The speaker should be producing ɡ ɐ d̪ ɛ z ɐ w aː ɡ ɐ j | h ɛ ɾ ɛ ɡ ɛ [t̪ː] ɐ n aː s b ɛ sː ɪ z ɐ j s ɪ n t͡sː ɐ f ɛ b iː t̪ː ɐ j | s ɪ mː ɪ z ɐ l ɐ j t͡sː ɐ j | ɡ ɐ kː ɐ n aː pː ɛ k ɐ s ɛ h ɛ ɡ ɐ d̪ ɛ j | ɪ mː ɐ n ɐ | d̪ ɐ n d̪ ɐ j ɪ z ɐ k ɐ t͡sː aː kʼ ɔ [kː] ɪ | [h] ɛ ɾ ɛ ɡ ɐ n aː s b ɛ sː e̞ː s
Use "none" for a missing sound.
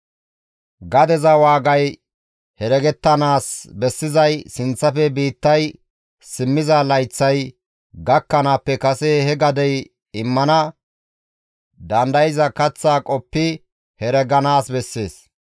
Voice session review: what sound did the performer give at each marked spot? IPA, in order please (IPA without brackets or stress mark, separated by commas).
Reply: t̪ː, pː, h